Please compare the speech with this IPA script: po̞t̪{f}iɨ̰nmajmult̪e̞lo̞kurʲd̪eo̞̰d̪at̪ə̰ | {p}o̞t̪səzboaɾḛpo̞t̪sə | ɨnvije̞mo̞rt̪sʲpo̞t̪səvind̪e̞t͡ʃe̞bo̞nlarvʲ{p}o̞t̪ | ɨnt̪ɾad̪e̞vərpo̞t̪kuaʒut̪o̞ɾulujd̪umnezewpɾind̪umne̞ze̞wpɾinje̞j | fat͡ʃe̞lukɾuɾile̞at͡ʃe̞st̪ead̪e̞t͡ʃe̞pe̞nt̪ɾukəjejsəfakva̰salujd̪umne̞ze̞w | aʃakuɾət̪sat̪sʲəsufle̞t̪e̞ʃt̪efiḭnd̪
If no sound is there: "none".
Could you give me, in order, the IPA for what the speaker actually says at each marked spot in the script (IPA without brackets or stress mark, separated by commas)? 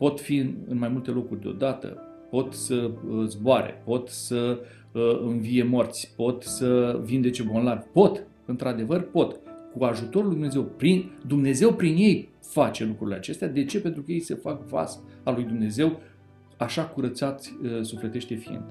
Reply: f, p, p